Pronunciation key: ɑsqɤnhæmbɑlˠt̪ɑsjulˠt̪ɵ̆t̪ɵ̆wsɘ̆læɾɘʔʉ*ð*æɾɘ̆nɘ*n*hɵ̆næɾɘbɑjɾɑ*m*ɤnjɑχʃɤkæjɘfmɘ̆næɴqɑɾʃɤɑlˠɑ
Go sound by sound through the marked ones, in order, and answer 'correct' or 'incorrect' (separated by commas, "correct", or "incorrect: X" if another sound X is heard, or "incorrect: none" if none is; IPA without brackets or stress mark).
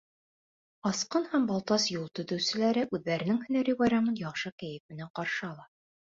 incorrect: ðː, incorrect: ŋ, correct